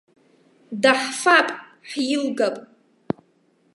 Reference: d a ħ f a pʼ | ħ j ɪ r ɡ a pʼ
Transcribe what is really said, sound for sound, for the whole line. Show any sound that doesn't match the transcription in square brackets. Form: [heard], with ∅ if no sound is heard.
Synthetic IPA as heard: d a ħ f a pʼ | ħ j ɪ [l] ɡ a pʼ

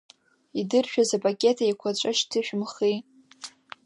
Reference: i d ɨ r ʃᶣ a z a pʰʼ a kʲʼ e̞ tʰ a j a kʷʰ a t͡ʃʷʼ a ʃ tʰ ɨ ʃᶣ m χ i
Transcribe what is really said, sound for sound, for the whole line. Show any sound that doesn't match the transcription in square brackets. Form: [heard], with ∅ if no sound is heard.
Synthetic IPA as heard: i d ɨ r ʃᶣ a z a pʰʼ a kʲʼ e̞ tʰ a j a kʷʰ a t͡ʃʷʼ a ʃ tʰ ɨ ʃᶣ m χ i

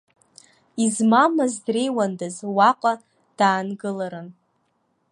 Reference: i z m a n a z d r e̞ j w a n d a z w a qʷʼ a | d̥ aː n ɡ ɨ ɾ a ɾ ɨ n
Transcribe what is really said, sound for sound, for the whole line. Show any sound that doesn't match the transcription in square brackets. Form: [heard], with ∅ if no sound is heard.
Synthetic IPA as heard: i z m a [m] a z d r e̞ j w a n d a z w a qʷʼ a | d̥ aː n ɡ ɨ [l] a ɾ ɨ n

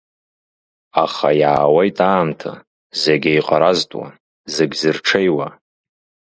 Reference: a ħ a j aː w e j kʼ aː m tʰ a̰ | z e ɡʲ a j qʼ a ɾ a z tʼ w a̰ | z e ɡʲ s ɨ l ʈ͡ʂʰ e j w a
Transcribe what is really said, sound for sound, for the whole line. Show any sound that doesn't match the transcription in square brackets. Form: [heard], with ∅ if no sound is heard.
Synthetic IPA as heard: a [χ] a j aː w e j [tʼ] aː m tʰ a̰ | z e ɡʲ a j qʼ a ɾ a z tʼ w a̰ | z e ɡʲ [z] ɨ [r] ʈ͡ʂʰ e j w a

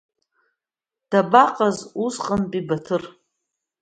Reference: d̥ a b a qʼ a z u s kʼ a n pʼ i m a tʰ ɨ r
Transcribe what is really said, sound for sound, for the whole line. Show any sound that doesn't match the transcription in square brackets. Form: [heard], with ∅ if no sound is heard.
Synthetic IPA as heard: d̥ a b a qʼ a z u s [qʼ] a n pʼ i [b] a tʰ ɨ r

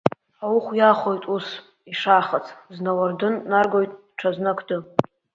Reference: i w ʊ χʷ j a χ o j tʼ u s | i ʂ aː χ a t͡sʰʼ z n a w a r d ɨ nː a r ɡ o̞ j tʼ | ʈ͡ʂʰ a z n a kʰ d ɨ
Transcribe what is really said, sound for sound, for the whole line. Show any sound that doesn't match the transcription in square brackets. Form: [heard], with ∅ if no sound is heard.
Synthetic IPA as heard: [a] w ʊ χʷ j a χ o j tʼ u s | i ʂ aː χ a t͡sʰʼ z n a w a r d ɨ nː a r ɡ o̞ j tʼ | ʈ͡ʂʰ a z n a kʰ d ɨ

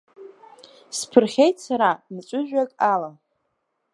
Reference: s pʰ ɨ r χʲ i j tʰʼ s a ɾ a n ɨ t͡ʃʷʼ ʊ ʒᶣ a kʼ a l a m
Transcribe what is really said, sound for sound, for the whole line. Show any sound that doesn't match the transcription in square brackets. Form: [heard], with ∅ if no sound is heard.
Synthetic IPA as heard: s pʰ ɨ r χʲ [e] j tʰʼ s a ɾ a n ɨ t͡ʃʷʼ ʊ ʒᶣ a kʼ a l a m

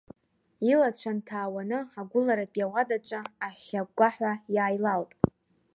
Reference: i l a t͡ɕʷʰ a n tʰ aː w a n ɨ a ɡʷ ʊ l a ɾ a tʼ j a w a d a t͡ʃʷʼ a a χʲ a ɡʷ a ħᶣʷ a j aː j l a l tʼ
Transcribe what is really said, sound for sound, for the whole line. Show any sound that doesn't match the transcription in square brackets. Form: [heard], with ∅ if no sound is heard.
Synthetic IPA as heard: i l a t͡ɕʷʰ a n tʰ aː w a n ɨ a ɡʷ ʊ l a ɾ a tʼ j a w a d a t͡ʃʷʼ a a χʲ a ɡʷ a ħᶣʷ a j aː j l a l tʼ

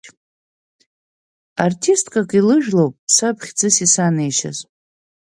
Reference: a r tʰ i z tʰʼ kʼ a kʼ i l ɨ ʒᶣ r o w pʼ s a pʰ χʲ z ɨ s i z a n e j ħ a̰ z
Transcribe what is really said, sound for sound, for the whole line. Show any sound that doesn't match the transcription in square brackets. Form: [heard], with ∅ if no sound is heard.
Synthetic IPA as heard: a r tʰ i [s] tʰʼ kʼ a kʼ i l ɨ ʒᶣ [l] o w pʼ s a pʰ χʲ [d͡z] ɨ s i [s] a n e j [ʃ] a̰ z

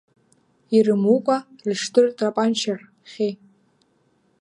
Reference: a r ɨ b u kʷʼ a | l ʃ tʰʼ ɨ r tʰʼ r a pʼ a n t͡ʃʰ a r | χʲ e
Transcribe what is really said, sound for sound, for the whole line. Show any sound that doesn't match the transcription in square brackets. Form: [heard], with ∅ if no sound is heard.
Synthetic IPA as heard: [i] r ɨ [m] u kʷʼ a | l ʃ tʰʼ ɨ r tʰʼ r a pʼ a n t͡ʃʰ a r | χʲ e

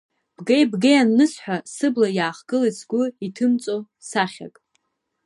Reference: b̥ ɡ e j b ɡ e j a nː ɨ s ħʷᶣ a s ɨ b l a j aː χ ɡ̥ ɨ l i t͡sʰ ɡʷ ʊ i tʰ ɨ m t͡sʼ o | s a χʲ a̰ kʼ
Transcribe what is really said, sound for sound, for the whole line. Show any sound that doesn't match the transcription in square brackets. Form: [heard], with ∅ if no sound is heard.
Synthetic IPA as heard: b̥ ɡ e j b ɡ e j a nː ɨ s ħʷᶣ a s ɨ b l a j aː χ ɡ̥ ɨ l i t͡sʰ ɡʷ ʊ i tʰ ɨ m t͡sʼ o | s a χʲ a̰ kʼ

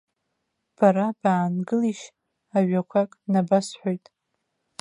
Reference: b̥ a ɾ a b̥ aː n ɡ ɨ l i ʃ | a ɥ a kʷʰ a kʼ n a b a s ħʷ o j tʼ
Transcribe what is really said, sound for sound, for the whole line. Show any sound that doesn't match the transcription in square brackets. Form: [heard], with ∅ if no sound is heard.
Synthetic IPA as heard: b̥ a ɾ a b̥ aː n ɡ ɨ l i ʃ | a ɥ a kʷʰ a kʼ n a b a s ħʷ o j tʼ

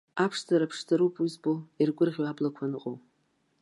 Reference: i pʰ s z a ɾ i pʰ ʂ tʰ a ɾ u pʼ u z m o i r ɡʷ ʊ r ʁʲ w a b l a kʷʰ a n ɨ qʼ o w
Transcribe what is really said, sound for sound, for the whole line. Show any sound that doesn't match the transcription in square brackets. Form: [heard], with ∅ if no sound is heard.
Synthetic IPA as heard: [a] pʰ [ʂ] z a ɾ [a] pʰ ʂ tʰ a ɾ u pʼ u z [b] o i r ɡʷ ʊ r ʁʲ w a b l a kʷʰ a n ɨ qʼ o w

